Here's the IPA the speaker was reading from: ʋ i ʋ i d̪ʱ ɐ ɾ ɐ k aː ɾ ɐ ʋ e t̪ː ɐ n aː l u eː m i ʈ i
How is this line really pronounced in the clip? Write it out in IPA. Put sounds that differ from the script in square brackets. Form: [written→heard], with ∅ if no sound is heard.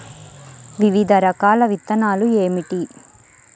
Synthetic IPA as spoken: ʋ i ʋ i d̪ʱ ɐ ɾ ɐ k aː [ɾ→l] ɐ ʋ [e→i] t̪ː ɐ n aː l u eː m i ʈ i